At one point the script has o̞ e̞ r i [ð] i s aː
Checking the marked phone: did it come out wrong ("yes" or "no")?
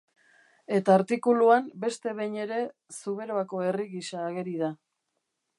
yes